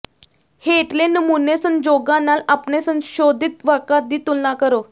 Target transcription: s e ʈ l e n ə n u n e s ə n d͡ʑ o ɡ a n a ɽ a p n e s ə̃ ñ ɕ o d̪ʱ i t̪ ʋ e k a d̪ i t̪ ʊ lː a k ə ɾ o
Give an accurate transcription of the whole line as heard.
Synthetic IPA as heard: h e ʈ l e n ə m u n e s ə n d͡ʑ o ɡ a n a l a p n e s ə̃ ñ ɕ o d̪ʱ i t̪ ʋ a k a d̪ i t̪ u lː a k ə ɾ o